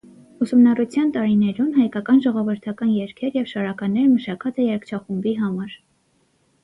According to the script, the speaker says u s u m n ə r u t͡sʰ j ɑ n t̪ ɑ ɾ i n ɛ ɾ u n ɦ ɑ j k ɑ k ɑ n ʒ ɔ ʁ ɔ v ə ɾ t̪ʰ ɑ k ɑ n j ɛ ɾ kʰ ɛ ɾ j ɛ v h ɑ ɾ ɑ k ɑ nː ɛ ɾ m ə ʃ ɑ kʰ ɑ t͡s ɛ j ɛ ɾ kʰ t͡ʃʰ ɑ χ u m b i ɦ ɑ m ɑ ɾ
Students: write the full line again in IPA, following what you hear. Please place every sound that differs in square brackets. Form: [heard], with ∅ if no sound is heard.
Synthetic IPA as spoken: u s u m n [ɑ] r u t͡sʰ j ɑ n t̪ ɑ ɾ i n ɛ ɾ u n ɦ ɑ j k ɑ k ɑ n ʒ ɔ ʁ ɔ v ə ɾ t̪ʰ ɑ k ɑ n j ɛ ɾ kʰ ɛ ɾ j ɛ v [ʃ] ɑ ɾ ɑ k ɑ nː ɛ ɾ m ə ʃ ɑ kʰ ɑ t͡s ɛ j ɛ ɾ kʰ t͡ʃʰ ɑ χ u m b i ɦ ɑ m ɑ ɾ